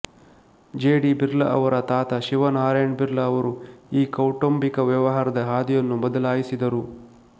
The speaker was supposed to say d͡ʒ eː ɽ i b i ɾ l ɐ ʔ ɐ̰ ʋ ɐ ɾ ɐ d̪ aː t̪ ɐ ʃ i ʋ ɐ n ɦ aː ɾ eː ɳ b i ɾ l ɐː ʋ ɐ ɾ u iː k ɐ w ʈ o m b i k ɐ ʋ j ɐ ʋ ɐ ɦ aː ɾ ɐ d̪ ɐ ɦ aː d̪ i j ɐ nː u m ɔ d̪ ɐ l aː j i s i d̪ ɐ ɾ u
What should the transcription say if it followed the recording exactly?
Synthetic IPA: d͡ʒ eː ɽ i b i ɾ l ɐ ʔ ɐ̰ ʋ ɐ ɾ ɐ t̪ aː t̪ ɐ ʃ i ʋ ɐ n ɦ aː ɾ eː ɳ b i ɾ l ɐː ʋ ɐ ɾ u iː k ɐ w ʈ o m b i k ɐ ʋ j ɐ ʋ ɐ ɦ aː ɾ ɐ d̪ ɐ ɦ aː d̪ i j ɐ nː u m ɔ d̪ ɐ l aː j i s i d̪ ɐ ɾ u

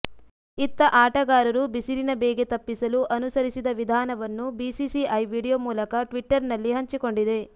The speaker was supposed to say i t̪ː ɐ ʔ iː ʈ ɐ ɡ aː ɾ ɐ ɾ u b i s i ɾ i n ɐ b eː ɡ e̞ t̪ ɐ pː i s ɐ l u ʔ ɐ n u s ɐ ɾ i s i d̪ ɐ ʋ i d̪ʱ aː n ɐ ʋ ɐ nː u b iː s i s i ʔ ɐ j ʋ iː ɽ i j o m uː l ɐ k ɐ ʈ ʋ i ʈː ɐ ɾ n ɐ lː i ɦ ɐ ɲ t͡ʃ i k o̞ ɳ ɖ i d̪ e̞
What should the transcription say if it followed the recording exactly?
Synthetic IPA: i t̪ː ɐ ʔ aː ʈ ɐ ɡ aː ɾ ɐ ɾ u b i s i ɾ i n ɐ b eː ɡ e̞ t̪ ɐ pː i s ɐ l u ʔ ɐ n u s ɐ ɾ i s i d̪ ɐ ʋ i d̪ʱ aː n ɐ ʋ ɐ nː u b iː s i s i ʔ ɐ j ʋ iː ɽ i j o m uː l ɐ k ɐ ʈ ʋ i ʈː ɐ ɾ n ɐ lː i ɦ ɐ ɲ t͡ʃ i k o̞ ɳ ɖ i d̪ e̞

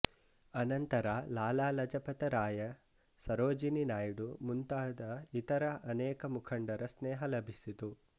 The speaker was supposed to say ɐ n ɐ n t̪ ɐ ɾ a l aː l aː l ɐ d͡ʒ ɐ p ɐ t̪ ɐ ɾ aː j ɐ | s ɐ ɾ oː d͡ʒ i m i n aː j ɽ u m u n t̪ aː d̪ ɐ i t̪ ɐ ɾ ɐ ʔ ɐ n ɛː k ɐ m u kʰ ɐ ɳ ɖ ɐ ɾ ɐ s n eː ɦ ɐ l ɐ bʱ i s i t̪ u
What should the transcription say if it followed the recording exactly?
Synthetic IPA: ɐ n ɐ n t̪ ɐ ɾ a l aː l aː l ɐ d͡ʒ ɐ p ɐ t̪ ɐ ɾ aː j ɐ | s ɐ ɾ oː d͡ʒ i n i n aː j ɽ u m u n t̪ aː d̪ ɐ i t̪ ɐ ɾ ɐ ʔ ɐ n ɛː k ɐ m u kʰ ɐ ɳ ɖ ɐ ɾ ɐ s n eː ɦ ɐ l ɐ bʱ i s i t̪ u

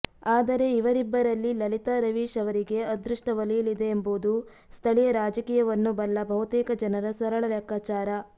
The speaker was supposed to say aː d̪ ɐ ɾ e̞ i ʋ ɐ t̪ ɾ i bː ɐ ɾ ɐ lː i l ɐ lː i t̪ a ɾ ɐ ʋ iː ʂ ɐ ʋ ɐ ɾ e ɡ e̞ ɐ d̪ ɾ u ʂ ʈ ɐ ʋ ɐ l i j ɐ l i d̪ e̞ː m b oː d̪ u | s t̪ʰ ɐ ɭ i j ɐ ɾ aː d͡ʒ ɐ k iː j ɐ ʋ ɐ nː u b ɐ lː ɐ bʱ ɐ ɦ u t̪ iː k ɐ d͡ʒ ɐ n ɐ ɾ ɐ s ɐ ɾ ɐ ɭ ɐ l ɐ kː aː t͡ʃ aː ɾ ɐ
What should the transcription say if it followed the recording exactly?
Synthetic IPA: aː d̪ ɐ ɾ e̞ i ʋ ɐ ɾ i bː ɐ ɾ ɐ lː i l ɐ l i t̪ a ɾ ɐ ʋ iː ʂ ɐ ʋ ɐ ɾ i ɡ e̞ ɐ d̪ ɾ u ʂ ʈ ɐ ʋ ɐ l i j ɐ l i d̪ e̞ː m b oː d̪ u | s t̪ʰ ɐ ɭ i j ɐ ɾ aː d͡ʒ ɐ k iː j ɐ ʋ ɐ nː u b ɐ lː ɐ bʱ ɐ ɦ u t̪ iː k ɐ d͡ʒ ɐ n ɐ ɾ ɐ s ɐ ɾ ɐ ɭ ɐ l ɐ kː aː t͡ʃ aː ɾ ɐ

